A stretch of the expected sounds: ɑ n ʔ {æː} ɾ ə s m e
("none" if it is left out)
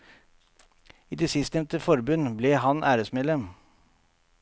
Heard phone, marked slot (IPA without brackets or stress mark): æː